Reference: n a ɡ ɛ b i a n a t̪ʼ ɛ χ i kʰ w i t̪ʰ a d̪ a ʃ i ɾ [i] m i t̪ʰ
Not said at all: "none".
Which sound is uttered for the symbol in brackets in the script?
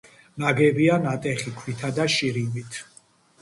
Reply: i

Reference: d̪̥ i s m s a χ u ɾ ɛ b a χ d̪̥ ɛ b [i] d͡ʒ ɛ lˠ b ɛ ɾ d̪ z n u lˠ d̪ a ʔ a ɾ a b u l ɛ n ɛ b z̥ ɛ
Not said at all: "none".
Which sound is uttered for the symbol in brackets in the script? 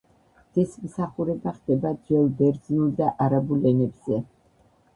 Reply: a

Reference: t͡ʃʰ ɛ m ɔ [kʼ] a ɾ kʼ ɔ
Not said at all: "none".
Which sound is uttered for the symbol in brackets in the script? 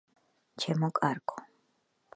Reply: kʼ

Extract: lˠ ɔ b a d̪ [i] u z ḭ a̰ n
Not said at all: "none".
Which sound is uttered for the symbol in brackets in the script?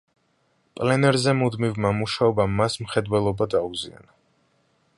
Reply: a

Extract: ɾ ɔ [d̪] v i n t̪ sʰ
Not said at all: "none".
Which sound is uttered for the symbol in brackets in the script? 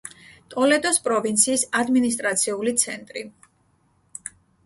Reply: none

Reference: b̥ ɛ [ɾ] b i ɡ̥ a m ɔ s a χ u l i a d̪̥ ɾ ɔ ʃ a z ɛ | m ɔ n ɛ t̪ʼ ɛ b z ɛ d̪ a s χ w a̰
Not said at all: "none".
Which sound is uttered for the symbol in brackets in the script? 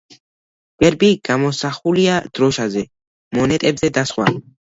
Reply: ɾ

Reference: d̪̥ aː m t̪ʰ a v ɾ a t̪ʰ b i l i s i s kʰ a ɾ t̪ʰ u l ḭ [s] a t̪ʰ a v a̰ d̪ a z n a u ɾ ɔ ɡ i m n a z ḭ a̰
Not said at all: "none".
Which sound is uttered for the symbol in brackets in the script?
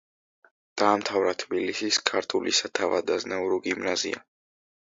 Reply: s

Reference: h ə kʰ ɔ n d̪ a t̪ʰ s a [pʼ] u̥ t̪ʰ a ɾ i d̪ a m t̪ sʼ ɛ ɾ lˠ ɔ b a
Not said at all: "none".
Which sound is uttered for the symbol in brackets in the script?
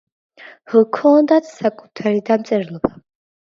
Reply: kʼ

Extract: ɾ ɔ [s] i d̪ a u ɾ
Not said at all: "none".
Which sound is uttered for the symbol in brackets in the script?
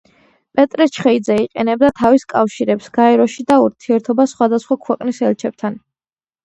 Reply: ʃ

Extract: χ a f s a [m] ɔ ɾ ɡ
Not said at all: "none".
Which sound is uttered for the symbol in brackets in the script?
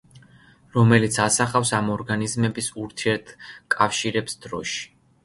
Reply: m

